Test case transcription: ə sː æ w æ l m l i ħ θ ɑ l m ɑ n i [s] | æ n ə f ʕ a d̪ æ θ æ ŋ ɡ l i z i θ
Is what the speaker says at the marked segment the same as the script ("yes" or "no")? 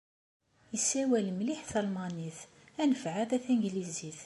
no